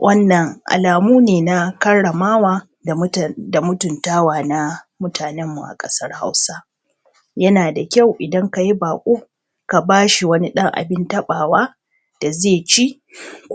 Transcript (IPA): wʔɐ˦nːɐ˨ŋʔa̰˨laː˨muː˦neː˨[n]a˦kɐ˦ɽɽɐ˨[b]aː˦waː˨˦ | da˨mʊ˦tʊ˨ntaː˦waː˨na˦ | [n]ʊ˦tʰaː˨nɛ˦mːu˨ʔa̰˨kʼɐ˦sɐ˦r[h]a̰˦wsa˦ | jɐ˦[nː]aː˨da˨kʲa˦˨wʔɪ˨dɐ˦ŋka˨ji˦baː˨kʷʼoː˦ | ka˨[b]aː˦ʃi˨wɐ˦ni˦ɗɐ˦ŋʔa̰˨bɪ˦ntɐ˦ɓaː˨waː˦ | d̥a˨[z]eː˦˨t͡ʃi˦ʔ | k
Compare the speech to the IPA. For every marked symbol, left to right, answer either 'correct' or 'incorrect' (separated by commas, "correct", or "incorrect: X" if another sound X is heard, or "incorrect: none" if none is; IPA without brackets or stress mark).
correct, incorrect: m, incorrect: m, correct, incorrect: n, correct, correct